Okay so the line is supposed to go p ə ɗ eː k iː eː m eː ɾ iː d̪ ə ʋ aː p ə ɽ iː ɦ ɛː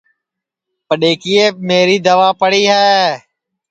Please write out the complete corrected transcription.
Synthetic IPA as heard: p ə ɗ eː k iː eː m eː ɾ iː d̪ ə ʋ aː p ə ɽ iː ɦ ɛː